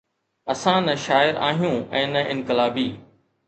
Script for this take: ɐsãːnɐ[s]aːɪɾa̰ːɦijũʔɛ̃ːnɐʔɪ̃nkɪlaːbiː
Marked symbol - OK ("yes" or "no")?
no